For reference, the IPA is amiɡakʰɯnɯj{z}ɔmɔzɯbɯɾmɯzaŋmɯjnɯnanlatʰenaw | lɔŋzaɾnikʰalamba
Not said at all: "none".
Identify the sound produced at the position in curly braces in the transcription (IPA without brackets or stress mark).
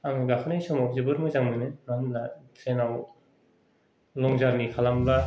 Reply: s